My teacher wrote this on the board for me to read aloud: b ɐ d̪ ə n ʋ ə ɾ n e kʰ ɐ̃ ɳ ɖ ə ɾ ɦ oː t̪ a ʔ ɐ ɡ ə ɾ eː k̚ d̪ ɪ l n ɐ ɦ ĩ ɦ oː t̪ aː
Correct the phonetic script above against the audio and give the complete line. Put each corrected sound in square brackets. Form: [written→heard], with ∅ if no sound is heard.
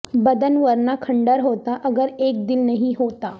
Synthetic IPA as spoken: b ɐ d̪ ə n ʋ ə ɾ n [e→a] kʰ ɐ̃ ɳ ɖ ə ɾ ɦ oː t̪ a ʔ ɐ ɡ ə ɾ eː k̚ d̪ ɪ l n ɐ ɦ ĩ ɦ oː t̪ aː